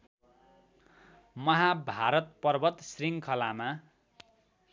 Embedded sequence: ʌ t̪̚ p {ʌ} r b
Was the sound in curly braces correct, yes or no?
yes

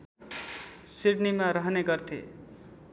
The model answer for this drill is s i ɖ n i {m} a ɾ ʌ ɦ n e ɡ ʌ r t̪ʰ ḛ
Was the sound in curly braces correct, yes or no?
yes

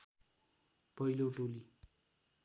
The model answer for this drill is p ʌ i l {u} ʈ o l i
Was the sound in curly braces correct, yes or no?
no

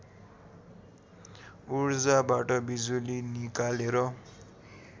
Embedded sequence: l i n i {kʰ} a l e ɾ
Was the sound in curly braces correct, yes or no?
no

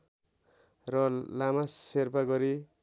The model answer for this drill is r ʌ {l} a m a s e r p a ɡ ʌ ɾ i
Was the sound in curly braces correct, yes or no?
yes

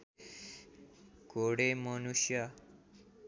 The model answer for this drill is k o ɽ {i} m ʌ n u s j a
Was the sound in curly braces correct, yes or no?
no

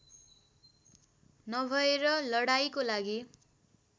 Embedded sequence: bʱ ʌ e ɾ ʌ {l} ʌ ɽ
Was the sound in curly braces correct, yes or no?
yes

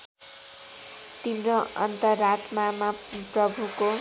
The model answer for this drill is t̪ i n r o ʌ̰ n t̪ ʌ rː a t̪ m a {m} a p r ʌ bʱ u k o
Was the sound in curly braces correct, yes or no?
yes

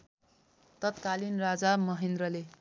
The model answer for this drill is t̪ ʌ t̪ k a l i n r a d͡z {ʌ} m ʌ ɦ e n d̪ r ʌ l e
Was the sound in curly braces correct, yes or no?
no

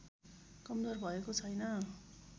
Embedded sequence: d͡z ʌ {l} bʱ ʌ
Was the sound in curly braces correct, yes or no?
no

